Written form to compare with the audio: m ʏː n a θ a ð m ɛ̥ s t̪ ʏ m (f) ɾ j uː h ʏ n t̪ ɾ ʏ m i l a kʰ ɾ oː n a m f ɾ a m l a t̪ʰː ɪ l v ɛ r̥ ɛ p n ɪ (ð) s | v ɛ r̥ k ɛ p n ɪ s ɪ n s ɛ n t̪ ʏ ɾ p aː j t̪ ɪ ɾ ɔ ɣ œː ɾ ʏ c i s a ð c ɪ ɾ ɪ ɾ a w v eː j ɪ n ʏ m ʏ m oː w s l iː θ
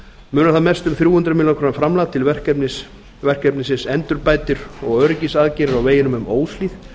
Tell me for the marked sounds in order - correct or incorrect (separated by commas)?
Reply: incorrect, incorrect